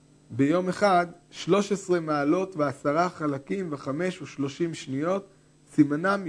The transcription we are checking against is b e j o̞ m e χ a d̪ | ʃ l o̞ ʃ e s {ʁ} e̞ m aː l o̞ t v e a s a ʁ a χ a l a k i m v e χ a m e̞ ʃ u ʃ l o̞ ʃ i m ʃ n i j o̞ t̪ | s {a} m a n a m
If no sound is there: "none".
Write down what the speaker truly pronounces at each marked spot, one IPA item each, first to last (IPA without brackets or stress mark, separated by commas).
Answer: ʁ, i